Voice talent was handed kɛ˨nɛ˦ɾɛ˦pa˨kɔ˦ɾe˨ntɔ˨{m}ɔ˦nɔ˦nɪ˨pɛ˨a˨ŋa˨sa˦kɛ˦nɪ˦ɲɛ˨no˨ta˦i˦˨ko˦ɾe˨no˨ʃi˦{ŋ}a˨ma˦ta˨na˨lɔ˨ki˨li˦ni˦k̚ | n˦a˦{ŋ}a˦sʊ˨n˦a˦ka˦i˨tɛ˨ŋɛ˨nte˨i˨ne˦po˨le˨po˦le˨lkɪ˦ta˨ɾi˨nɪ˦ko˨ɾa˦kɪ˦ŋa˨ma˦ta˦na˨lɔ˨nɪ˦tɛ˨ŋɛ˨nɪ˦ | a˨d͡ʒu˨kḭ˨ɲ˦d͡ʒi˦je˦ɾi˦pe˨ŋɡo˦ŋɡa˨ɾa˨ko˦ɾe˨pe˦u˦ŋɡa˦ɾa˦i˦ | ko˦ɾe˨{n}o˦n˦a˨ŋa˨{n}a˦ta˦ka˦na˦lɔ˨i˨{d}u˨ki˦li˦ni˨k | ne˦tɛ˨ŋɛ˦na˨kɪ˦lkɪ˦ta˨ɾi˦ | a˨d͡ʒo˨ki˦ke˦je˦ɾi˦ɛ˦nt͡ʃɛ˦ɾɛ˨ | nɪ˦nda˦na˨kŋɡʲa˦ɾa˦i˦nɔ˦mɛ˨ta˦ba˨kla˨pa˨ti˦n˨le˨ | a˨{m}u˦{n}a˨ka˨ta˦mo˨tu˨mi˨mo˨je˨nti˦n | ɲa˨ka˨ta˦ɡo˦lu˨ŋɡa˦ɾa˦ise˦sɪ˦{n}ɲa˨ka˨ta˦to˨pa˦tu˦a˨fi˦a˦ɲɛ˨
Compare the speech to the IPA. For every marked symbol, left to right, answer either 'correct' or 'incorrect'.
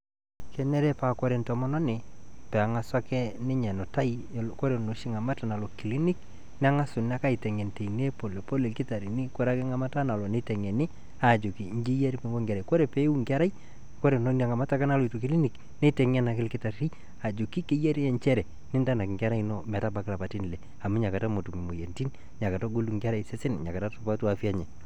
correct, correct, correct, correct, incorrect, incorrect, correct, incorrect, correct

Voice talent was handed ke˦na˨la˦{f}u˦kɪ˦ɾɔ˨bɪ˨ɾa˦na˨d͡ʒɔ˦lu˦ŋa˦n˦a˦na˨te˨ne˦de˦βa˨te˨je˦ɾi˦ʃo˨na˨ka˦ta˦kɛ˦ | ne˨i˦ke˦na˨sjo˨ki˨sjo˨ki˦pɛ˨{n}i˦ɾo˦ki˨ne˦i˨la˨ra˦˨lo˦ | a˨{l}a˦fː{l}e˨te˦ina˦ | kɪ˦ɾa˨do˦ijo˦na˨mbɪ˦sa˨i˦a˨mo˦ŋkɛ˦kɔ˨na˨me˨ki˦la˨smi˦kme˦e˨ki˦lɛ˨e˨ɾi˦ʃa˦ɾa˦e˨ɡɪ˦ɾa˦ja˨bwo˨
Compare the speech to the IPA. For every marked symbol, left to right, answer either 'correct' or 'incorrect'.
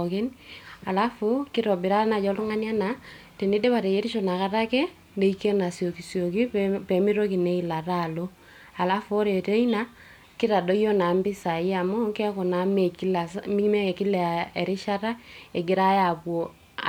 correct, incorrect, correct, incorrect

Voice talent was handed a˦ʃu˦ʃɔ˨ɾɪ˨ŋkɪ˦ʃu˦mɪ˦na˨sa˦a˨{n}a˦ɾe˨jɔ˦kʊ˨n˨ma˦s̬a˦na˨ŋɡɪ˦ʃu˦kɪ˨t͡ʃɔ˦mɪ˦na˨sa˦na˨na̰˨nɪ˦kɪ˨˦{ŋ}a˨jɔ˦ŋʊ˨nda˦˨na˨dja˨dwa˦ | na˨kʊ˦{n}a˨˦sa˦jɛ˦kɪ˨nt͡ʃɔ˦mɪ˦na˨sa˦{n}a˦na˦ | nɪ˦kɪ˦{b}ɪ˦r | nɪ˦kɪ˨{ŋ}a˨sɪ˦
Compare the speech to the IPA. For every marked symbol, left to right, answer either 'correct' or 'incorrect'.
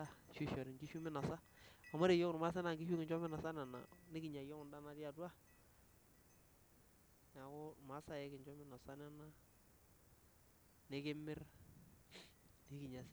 incorrect, incorrect, incorrect, correct, incorrect, incorrect

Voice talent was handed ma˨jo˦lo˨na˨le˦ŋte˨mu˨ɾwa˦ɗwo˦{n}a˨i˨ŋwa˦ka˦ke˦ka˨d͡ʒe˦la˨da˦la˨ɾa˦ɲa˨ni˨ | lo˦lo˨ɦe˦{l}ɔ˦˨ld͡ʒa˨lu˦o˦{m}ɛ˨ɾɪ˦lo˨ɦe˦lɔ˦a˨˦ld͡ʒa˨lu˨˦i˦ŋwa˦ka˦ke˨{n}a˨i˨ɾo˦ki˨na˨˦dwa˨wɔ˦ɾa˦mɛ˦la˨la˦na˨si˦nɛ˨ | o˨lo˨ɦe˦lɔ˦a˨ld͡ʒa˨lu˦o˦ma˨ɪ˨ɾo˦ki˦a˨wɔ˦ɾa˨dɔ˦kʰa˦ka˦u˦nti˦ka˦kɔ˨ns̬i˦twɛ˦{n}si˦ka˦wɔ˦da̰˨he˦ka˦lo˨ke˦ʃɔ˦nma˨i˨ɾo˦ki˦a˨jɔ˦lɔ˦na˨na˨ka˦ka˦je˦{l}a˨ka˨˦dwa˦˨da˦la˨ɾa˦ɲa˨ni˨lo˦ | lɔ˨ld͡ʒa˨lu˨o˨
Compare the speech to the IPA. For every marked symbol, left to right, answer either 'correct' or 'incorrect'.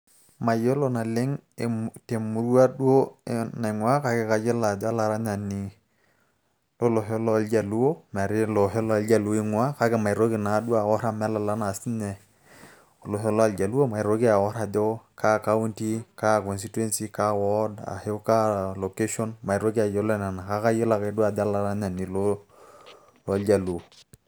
correct, correct, correct, incorrect, correct, correct

